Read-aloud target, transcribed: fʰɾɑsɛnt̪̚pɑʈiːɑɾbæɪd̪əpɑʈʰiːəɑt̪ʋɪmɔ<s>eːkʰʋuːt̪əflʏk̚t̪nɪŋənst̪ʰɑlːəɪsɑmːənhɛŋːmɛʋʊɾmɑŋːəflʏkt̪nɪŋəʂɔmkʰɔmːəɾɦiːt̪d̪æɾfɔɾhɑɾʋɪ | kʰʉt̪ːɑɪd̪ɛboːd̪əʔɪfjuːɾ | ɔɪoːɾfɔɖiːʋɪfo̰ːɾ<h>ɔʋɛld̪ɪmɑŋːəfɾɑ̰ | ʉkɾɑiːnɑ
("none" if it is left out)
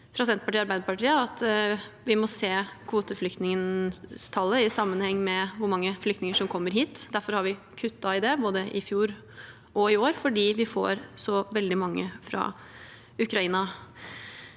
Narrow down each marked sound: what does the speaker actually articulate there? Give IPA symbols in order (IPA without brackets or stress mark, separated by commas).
s, s